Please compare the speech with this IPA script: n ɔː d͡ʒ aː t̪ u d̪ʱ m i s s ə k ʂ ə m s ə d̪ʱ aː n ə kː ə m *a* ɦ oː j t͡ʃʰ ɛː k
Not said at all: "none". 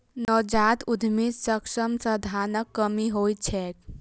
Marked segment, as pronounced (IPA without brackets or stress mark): i